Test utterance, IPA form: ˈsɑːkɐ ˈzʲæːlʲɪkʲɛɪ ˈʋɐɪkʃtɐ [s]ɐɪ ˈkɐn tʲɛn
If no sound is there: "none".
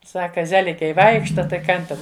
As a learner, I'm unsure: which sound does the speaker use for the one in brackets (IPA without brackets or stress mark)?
t